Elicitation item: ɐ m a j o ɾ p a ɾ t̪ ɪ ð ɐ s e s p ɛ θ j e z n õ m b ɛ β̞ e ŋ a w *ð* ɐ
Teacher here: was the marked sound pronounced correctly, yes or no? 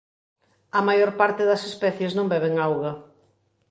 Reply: no